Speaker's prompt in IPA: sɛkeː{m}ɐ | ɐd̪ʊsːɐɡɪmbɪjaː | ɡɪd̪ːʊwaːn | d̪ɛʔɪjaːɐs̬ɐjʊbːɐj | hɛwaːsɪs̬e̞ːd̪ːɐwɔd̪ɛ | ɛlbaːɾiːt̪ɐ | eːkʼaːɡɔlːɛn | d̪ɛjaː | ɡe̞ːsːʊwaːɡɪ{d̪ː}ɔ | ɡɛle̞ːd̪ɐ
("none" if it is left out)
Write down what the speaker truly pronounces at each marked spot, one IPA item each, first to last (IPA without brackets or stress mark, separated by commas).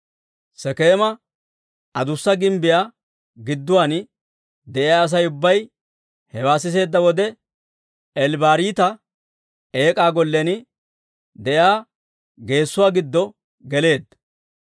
m, d̪ː